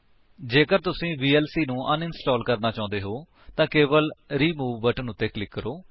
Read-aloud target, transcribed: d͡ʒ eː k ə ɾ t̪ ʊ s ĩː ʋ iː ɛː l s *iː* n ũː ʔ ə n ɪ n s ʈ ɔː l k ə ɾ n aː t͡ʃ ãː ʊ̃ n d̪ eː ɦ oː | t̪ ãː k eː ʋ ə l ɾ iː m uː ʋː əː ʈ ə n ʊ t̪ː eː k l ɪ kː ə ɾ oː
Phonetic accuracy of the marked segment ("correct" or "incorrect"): correct